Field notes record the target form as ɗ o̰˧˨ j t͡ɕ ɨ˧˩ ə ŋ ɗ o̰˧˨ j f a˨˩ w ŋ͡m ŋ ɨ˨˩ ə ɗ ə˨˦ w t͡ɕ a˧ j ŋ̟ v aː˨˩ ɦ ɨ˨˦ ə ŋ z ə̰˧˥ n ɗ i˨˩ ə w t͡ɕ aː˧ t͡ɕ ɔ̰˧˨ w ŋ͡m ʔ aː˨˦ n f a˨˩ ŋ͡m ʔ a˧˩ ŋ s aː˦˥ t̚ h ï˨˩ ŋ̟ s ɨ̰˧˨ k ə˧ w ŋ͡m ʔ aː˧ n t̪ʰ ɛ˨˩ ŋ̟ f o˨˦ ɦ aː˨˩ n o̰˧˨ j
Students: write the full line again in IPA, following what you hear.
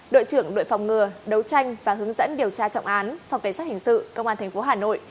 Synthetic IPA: ɗ o̰˧˨ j t͡ɕ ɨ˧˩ ə ŋ ɗ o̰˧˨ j f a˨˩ w ŋ͡m ŋ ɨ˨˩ ə ɗ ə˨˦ w t͡ɕ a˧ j ŋ̟ v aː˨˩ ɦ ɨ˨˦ ə ŋ z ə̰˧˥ n ɗ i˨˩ ə w t͡ɕ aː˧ t͡ɕ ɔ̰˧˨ w ŋ͡m ʔ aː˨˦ n f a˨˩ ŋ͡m k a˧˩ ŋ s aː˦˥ t̚ h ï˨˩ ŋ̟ s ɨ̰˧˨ k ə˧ w ŋ͡m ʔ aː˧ n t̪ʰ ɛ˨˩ ŋ̟ f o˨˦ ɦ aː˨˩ n o̰˧˨ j

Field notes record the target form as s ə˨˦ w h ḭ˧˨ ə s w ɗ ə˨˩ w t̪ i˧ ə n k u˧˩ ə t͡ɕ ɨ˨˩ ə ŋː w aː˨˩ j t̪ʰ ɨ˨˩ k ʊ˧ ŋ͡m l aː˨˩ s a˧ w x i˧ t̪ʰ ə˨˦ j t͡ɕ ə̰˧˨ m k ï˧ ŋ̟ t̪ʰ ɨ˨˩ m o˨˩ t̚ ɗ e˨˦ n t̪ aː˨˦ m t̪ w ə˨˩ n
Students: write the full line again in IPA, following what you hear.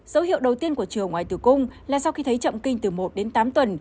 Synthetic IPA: z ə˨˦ w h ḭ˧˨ ə w ɗ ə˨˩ w t̪ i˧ ə n k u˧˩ ə t͡ɕ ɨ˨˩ ə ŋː w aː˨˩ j t̪ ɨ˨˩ k ʊ˧ ŋ͡m l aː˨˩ s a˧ w x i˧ t̪ʰ ə˨˦ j t͡ɕ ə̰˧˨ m k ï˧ ŋ̟ t̪ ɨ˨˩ m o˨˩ t̚ ɗ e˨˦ n t̪ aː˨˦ m t̪ w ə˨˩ n

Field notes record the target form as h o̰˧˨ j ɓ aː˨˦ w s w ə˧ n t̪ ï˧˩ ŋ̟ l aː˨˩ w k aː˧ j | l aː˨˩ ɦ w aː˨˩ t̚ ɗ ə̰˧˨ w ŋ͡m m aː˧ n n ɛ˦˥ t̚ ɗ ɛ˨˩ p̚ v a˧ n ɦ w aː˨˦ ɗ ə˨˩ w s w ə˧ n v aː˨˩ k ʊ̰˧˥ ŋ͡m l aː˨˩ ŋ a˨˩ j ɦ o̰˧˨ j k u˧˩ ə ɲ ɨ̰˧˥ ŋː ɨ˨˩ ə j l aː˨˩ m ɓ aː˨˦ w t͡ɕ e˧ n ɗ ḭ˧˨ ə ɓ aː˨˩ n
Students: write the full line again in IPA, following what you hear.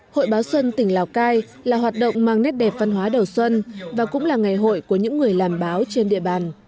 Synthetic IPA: h o̰˧˨ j ɓ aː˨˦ w s w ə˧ n t̪ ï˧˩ ŋ̟ l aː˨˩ w k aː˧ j | l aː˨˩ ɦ w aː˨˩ t̚ ɗ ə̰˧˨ w ŋ͡m m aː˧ ŋ n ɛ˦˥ t̚ ɗ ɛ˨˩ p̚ v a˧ n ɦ w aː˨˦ ɗ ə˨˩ w s w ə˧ n v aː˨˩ k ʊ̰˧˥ ŋ͡m l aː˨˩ ŋ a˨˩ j ɦ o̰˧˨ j k u˧˩ ə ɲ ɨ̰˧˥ ŋː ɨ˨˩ ə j l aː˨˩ m ɓ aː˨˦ w t͡ɕ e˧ n ɗ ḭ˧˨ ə ɓ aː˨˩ n

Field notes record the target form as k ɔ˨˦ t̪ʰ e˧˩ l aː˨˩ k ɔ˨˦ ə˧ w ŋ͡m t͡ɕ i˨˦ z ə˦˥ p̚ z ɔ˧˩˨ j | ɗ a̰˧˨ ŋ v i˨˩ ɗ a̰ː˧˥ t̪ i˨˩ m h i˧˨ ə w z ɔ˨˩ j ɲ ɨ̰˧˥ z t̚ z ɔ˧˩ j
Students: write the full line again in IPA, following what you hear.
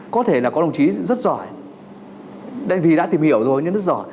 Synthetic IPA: k ɔ˨˦ t̪ʰ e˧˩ l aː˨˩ k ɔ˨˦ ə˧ w ŋ͡m t͡ɕ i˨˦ z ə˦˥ t̚ z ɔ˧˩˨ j | ɗ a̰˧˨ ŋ v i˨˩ ɗ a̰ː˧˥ t̪ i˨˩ m h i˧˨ ə w z o˨˩ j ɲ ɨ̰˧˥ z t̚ z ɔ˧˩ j

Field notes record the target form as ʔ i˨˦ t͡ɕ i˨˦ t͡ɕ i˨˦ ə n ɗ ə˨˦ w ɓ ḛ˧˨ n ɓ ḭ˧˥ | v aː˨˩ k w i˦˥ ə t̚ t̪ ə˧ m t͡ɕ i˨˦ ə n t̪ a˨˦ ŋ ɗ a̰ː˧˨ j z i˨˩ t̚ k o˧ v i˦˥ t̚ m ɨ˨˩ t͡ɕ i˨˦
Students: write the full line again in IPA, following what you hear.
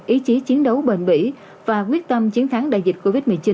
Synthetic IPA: ʔ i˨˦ t͡ɕ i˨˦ t͡ɕ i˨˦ ə n ɗ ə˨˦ w ɓ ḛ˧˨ n ɓ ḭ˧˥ | v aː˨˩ k w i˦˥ ə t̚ t̪ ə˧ m t͡ɕ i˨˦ ə n t̪ʰ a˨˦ ŋ ɗ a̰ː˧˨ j z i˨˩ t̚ k o˧ v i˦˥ t̚ m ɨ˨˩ t͡ɕ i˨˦

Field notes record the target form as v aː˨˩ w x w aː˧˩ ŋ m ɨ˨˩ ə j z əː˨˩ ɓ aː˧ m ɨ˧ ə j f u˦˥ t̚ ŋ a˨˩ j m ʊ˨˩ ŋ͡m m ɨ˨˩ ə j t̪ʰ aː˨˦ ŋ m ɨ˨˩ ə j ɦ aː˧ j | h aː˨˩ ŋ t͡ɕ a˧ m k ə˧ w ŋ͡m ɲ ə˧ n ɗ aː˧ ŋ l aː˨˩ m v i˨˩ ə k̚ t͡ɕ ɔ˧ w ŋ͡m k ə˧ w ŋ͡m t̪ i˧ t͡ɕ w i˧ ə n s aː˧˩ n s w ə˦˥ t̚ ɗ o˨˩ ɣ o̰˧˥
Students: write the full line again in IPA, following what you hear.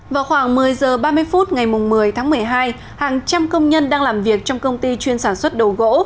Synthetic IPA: v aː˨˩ w x w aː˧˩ ŋ m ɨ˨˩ ə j z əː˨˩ ɓ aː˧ m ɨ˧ ə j f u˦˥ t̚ ŋ a˨˩ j m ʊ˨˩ ŋ͡m m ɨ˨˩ ə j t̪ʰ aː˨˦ ŋ m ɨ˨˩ ə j ɦ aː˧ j | h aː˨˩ ŋ t͡ɕ a˧ m k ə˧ w ŋ͡m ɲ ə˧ n ɗ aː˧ ŋ l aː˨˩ m v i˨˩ ə k̚ t͡ɕ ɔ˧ w ŋ͡m k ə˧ w ŋ͡m t̪ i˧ t͡ɕ w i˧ ə n s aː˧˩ n s w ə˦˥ t̚ ɗ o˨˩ ɣ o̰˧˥

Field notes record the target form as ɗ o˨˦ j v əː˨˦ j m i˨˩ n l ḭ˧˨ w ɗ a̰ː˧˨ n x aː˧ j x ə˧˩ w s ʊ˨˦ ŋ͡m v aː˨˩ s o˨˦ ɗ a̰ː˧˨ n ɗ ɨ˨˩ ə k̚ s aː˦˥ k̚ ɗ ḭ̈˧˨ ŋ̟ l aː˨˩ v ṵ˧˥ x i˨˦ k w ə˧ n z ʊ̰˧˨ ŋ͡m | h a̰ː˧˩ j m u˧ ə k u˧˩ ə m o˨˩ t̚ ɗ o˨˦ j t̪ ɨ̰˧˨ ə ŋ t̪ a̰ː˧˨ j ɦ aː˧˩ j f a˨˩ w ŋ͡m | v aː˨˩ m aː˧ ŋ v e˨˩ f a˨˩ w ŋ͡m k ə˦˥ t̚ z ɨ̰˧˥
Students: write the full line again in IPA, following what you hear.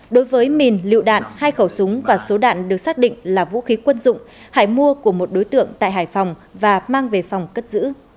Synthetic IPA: ɗ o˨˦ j v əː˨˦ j m i˨˩ n l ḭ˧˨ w ɗ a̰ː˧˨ n h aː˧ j x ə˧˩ w s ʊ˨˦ ŋ͡m v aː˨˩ s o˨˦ ɗ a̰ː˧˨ n ɗ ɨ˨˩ ə k̚ s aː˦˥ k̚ ɗ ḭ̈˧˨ ŋ̟ l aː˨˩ v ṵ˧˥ x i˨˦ k w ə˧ n z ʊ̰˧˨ ŋ͡m | h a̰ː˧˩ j m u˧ ə k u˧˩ ə m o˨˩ t̚ ɗ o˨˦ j t̪ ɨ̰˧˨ ə ŋ t̪ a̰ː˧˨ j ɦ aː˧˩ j f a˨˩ w ŋ͡m | v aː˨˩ m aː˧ ŋ v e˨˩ f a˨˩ w ŋ͡m k ə˦˥ t̚ z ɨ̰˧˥

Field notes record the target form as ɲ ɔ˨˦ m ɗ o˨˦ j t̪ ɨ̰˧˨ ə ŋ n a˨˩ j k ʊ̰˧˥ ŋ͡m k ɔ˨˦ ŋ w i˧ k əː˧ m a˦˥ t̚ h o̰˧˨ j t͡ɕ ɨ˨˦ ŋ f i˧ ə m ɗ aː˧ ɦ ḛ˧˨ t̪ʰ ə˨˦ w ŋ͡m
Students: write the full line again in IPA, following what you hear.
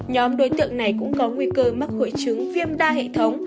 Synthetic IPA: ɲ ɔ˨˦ m ɗ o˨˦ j t̪ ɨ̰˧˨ ə ŋ n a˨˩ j k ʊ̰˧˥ ŋ͡m k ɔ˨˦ ŋ w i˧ k əː˧ m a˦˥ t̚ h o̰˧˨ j t͡ɕ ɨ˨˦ ŋ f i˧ ə m ɗ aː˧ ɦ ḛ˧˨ t̪ʰ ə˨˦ w ŋ͡m

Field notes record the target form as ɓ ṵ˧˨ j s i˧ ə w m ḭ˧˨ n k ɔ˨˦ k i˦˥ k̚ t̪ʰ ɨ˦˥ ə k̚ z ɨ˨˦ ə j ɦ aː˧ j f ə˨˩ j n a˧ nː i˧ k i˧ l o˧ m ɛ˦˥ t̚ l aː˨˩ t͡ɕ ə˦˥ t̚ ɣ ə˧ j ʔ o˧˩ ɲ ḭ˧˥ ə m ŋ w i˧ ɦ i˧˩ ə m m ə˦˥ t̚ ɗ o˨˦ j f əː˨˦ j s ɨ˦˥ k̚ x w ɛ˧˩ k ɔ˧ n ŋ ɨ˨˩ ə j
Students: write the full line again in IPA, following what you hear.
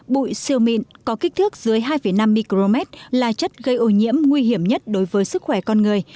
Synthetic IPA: ɓ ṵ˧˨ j s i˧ ə w m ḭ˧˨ n k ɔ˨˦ k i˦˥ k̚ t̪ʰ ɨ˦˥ ə k̚ z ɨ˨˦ ə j ɦ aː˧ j f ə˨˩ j n a˧ mː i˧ k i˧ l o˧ m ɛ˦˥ t̚ l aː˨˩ t͡ɕ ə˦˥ t̚ ɣ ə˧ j ʔ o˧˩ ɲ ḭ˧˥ ə m ŋ w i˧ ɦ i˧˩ ə m ɲ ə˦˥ t̚ ɗ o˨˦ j v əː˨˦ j s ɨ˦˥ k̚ x w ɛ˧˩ k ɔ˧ n ŋ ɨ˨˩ ə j

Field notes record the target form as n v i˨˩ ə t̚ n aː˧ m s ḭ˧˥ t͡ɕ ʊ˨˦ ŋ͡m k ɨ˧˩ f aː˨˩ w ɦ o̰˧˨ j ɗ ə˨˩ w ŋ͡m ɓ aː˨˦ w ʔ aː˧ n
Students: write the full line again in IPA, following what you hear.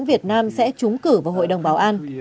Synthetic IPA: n v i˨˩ ə t̚ n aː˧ m s ɛ̰˧˥ t͡ɕ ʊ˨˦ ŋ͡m k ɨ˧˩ v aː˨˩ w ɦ o̰˧˨ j ɗ ə˨˩ w ŋ͡m ɓ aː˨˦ w ʔ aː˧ n

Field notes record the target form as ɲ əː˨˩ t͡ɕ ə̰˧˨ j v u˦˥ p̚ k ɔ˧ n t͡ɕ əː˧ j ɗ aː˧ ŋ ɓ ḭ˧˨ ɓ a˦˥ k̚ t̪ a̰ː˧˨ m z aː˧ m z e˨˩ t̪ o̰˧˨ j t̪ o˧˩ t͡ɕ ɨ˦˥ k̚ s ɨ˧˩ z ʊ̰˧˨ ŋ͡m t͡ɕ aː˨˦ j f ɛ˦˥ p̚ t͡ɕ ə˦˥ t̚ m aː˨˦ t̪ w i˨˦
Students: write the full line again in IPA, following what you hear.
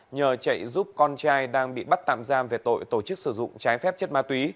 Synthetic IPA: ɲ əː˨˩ t͡ɕ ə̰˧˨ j z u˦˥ p̚ k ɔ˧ n t͡ɕ aː˧ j ɗ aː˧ ŋ ɓ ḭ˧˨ ɓ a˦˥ t̚ t̪ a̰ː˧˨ m z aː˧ m v e˨˩ t̪ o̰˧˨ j t̪ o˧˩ t͡ɕ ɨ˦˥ k̚ s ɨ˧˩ z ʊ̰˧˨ ŋ͡m t͡ɕ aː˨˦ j f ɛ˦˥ p̚ t͡ɕ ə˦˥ t̚ m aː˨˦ t̪ w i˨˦

